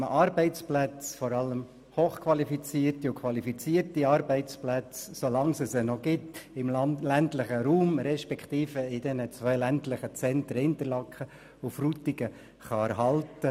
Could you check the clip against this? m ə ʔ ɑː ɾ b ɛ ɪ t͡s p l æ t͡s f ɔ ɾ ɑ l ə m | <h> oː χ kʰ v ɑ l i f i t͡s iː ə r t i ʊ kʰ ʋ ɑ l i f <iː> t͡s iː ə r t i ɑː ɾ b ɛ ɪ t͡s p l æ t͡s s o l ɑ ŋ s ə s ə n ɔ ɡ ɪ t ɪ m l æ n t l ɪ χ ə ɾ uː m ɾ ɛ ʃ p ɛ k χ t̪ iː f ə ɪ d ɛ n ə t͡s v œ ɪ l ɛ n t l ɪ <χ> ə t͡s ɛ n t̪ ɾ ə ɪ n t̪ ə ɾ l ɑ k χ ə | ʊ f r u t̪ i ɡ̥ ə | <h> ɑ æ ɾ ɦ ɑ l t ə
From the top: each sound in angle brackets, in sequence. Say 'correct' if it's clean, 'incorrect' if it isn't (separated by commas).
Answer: correct, incorrect, correct, incorrect